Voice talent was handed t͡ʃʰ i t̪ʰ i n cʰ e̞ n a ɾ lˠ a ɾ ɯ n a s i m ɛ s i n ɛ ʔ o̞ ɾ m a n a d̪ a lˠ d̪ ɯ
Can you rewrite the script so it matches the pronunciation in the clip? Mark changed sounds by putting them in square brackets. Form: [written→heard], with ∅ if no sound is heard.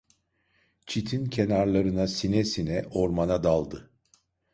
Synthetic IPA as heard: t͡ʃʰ i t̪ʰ i n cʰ e̞ n a ɾ lˠ a ɾ ɯ n a s i [m→n] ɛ s i n ɛ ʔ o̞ ɾ m a n a d̪ a lˠ d̪ ɯ